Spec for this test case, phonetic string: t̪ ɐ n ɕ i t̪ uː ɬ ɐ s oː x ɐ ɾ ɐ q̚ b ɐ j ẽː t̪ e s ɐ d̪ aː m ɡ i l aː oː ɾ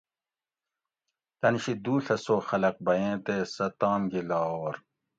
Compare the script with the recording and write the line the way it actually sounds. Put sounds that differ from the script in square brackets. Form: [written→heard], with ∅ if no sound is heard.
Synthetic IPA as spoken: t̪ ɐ n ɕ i [t̪→d̪] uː ɬ ɐ s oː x ɐ [ɾ→l] ɐ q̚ b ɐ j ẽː t̪ e s ɐ [d̪→t̪] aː m ɡ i l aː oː ɾ